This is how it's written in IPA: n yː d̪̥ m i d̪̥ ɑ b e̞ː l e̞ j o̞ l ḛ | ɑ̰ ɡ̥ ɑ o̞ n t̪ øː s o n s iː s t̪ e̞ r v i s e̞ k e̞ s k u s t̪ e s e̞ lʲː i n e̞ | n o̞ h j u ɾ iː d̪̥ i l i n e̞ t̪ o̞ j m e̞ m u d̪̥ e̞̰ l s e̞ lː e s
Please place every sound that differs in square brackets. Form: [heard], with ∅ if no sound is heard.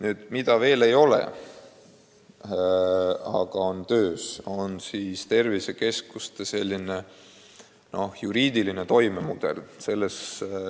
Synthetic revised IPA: n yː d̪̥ m i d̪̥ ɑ [v] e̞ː l e̞ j o̞ l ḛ | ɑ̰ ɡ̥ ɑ o̞ n t̪ øː s o n s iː s t̪ e̞ r v i s e̞ k e̞ s k u s t̪ e s e̞ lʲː i n e̞ | n o̞ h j u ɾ iː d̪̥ i l i n e̞ t̪ o̞ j m e̞ m u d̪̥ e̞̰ l s e̞ lː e s

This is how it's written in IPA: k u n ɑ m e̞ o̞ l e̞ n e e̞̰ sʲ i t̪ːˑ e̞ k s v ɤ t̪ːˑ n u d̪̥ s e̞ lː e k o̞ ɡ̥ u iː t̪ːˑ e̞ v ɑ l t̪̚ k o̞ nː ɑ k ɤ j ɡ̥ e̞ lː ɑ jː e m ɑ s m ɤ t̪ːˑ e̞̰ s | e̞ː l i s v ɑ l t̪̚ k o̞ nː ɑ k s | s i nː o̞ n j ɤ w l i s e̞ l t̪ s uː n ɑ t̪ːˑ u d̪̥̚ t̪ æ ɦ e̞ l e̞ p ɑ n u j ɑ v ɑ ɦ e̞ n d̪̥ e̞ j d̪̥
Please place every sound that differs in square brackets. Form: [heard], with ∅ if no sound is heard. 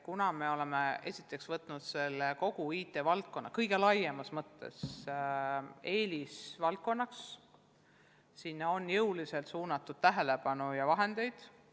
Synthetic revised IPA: k u n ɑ m e̞ o̞ l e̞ [m] e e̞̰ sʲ i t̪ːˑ e̞ k s v ɤ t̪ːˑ n u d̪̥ s e̞ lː e k o̞ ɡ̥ u iː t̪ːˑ e̞ v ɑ l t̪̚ k o̞ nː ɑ k ɤ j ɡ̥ e̞ [l] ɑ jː e m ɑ s m ɤ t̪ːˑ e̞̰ s | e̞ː l i s v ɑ l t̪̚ k o̞ nː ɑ k s | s i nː o̞ n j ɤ w l i s e̞ l t̪ s uː n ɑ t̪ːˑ u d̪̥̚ t̪ æ ɦ e̞ l e̞ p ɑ n u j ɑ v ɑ ɦ e̞ n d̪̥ e̞ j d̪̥

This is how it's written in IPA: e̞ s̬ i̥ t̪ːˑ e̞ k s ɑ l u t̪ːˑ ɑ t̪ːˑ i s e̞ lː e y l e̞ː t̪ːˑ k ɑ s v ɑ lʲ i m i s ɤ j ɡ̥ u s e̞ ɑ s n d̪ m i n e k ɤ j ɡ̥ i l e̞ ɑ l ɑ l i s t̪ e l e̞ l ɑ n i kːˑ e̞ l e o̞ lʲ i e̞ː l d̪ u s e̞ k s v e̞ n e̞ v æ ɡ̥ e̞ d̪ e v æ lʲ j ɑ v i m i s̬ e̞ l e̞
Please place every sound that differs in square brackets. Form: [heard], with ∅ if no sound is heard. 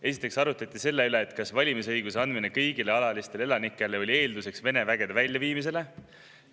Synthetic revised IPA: e̞ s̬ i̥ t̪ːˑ e̞ k s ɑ [ɾ] u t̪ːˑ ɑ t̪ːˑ i s e̞ lː e y l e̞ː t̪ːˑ k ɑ s v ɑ lʲ i m i s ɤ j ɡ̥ u s e̞ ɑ [∅] n d̪ m i n e k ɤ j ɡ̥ i l e̞ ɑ l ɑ l i s t̪ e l e̞ l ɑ n i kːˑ e̞ l e o̞ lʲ i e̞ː l d̪ u s e̞ k s v e̞ n e̞ v æ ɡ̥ e̞ d̪ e v æ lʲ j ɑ v [iː] m i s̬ e̞ l e̞

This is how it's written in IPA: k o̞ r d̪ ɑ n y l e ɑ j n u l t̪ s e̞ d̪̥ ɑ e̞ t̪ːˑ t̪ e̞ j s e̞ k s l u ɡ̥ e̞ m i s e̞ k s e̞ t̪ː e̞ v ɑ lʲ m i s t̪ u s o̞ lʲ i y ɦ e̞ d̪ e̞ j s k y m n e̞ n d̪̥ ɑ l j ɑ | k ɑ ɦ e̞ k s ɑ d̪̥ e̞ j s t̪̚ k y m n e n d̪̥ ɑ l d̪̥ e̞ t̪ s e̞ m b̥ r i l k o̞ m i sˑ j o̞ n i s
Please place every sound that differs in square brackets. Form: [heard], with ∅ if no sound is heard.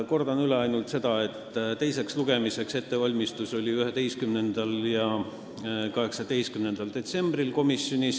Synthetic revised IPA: k o̞ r d̪ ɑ n y l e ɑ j n u l t̪ s e̞ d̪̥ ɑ e̞ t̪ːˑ t̪ e̞ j s e̞ k s l u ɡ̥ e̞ m i s e̞ k s e̞ t̪ː e̞ v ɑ lʲ m i s t̪ u s o̞ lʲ i y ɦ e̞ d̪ e̞ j s k y m n e̞ n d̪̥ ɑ l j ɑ | k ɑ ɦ e̞ k s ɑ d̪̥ e̞ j s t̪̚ k y m n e n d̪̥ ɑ l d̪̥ e̞ t̪ s e̞ m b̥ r i l k o̞ m i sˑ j o̞ n i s

